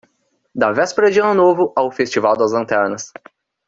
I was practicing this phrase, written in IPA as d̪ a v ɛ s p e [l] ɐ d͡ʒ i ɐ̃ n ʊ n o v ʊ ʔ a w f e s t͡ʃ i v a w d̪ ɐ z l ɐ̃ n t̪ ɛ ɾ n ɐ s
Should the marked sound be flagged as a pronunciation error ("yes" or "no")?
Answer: yes